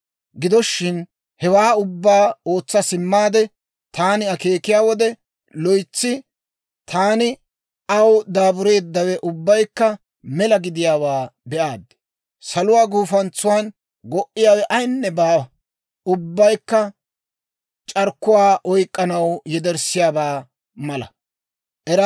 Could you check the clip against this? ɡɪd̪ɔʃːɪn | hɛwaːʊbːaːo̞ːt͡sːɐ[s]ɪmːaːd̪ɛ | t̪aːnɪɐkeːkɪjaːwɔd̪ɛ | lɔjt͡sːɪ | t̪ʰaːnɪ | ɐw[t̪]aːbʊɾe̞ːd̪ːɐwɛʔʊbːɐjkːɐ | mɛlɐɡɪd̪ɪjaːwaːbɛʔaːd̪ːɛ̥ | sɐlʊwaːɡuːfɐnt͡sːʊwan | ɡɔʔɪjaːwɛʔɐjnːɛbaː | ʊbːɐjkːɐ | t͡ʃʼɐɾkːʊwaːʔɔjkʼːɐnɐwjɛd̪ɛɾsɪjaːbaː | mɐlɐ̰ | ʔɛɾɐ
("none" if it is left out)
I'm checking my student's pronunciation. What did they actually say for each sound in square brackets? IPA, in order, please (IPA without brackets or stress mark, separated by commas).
s, d̪